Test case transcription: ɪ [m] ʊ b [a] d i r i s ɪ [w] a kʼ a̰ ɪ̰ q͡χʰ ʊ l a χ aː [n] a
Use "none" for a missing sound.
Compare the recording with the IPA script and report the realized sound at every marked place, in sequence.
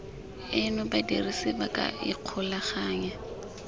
n, a, b, ɲ

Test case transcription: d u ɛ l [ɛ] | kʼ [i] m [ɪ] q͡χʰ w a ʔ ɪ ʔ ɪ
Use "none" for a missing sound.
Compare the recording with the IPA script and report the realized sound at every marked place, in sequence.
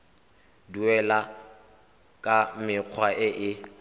a, a, ɪ

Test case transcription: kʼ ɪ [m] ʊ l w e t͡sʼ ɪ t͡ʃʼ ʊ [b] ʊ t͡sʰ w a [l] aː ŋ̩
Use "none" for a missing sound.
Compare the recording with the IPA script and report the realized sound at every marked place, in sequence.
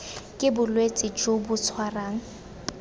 b, b, r

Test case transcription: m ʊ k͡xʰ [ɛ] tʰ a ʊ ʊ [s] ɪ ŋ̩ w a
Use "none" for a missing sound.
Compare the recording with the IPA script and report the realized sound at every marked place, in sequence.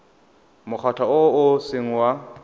a, s

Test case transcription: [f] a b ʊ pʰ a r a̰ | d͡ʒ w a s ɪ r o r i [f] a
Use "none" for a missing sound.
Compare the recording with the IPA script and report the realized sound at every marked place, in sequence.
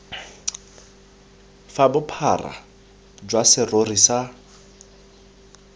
f, s

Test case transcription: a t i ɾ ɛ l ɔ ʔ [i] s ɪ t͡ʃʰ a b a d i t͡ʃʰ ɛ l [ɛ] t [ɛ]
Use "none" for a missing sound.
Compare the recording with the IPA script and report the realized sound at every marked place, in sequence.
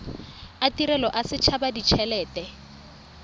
a, ɛː, ɛ

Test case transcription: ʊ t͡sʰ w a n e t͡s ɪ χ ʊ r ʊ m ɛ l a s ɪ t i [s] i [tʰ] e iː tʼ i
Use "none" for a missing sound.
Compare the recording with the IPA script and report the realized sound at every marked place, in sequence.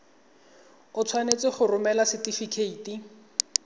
f, kʰ

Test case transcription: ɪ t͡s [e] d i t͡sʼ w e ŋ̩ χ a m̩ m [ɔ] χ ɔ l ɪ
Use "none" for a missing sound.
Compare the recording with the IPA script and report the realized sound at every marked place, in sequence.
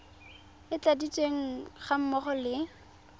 a, ɔ

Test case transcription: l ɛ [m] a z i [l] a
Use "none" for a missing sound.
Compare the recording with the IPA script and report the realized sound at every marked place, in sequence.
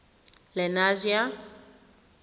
n, none

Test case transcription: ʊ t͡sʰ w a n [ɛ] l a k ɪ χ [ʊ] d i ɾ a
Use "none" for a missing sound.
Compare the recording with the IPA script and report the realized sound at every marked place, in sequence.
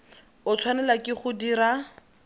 ɛ, ʊ

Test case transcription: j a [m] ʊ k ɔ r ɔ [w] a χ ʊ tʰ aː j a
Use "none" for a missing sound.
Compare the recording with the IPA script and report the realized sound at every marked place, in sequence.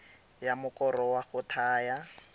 m, w

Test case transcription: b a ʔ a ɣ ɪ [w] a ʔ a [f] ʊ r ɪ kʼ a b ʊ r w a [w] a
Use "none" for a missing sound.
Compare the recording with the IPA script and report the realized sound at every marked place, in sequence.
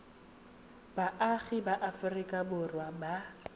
b, f, b

